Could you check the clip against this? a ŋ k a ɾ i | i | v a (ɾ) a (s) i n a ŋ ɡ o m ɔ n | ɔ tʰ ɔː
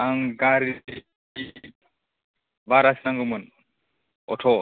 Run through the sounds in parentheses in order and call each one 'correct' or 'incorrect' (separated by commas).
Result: correct, correct